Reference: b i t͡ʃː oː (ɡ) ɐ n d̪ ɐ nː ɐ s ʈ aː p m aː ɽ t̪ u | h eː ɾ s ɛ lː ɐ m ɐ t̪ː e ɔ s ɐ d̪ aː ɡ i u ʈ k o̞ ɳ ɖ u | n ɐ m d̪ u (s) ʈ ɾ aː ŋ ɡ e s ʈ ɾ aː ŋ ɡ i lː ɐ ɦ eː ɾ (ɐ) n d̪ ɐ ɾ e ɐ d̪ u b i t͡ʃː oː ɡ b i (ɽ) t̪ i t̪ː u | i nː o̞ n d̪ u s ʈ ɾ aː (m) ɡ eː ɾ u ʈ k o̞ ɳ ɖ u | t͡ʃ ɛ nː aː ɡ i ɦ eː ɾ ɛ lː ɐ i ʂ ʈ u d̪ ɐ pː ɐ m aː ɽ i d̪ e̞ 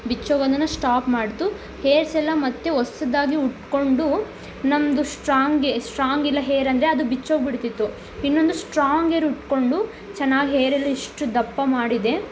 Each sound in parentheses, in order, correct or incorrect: correct, correct, correct, correct, incorrect

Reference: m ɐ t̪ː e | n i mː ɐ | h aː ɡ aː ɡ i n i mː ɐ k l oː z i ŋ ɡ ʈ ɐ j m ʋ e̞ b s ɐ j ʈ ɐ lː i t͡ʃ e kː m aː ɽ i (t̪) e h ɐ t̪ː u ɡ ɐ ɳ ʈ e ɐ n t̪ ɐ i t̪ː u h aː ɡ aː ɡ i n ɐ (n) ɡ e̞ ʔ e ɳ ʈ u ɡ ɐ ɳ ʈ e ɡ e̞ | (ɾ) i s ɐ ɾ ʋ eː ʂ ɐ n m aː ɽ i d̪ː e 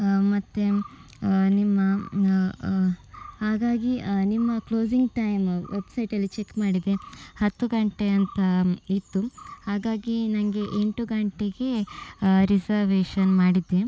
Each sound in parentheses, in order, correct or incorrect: incorrect, incorrect, correct

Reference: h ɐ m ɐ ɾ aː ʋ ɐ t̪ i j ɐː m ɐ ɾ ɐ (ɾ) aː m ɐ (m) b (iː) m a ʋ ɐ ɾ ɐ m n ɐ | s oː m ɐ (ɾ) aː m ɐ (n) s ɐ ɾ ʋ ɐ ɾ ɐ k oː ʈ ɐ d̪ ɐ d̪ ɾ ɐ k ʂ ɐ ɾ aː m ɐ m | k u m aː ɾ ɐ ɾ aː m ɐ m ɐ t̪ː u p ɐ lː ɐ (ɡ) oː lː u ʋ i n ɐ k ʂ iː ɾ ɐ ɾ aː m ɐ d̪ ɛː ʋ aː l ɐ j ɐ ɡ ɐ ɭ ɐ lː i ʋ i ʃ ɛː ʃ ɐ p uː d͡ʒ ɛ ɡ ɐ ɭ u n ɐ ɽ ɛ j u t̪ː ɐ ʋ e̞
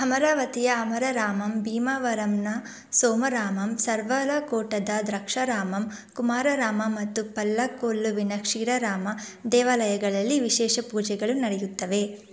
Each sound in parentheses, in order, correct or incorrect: correct, correct, correct, correct, incorrect, incorrect

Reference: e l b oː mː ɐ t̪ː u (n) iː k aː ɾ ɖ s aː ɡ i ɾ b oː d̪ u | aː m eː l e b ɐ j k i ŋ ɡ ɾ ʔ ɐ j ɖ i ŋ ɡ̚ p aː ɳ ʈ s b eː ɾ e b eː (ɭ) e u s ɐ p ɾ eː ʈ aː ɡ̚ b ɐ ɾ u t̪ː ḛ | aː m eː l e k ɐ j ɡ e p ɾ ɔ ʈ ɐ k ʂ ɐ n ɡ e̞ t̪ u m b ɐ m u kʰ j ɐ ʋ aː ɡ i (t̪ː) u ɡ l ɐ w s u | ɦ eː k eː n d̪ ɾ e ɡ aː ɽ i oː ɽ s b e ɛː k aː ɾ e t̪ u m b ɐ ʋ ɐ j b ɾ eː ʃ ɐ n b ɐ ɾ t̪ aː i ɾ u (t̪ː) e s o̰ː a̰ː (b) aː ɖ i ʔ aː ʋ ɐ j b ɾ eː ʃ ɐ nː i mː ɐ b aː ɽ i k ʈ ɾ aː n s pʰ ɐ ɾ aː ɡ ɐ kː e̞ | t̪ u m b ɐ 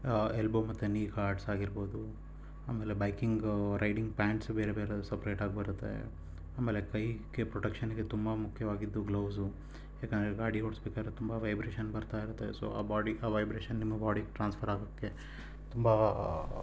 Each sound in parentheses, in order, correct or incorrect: correct, incorrect, incorrect, correct, correct

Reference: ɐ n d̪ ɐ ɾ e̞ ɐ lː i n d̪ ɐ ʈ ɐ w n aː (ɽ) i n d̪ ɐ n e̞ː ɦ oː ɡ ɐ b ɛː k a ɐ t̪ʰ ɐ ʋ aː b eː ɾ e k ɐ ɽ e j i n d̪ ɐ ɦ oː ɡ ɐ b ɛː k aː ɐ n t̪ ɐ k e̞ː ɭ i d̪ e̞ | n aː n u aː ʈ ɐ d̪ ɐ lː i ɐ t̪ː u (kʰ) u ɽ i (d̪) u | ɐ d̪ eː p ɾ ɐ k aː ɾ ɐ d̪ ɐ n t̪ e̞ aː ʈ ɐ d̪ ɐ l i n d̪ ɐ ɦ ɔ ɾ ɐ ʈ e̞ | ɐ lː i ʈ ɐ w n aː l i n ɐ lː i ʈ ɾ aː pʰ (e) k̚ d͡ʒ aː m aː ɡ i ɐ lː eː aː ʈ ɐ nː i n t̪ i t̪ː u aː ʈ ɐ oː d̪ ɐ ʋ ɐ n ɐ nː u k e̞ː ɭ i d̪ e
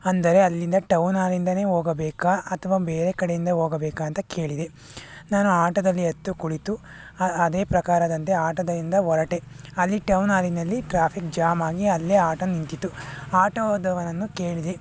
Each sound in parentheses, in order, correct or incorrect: incorrect, incorrect, incorrect, incorrect

